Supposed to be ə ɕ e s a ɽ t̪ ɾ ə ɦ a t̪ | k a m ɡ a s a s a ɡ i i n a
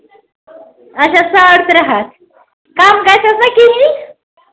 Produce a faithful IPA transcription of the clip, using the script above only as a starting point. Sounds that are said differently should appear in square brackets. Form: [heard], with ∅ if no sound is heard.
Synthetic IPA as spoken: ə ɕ [a] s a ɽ t̪ ɾ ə ɦ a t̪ | k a m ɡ a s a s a [k] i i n [i]